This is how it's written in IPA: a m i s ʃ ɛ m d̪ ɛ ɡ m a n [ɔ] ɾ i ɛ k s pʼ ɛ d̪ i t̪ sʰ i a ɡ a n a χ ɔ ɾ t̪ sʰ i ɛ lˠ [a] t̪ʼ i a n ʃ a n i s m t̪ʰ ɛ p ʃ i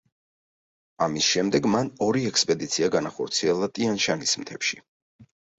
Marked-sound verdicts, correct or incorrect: correct, correct

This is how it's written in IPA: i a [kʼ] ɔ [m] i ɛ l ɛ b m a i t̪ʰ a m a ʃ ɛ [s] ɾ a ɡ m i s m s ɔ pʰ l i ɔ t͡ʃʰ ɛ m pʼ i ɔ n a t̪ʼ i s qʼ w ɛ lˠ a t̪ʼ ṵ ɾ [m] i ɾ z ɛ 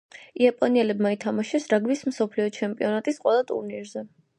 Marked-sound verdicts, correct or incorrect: incorrect, incorrect, correct, incorrect

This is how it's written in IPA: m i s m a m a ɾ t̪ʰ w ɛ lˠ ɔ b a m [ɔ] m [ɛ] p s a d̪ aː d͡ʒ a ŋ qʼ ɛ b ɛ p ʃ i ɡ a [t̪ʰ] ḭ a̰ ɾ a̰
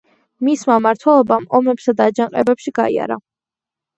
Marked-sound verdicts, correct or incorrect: correct, correct, incorrect

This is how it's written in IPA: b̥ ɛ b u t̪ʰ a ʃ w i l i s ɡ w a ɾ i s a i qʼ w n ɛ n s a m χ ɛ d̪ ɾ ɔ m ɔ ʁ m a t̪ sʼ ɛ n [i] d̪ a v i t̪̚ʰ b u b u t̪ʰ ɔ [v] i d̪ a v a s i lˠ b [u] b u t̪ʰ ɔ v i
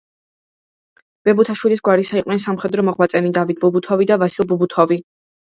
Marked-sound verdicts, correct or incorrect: correct, correct, correct

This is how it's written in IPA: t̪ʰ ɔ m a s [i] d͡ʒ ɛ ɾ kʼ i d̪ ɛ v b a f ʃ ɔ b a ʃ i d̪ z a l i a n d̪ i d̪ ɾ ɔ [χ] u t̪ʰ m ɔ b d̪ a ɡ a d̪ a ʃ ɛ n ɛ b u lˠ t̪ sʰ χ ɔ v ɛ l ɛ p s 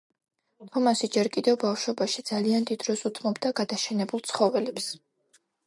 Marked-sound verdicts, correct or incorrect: correct, incorrect

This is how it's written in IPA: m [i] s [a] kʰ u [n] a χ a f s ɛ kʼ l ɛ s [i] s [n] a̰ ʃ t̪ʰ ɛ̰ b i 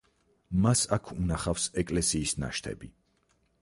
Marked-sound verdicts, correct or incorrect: incorrect, correct, correct, incorrect, correct

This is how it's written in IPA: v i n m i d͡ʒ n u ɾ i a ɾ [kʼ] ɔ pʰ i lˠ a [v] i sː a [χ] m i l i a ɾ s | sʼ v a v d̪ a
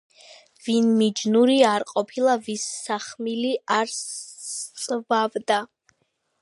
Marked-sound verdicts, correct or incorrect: incorrect, correct, correct

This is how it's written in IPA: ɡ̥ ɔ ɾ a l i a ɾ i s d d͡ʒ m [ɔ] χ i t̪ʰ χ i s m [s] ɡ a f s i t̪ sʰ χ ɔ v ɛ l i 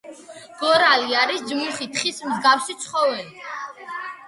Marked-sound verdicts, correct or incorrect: incorrect, incorrect

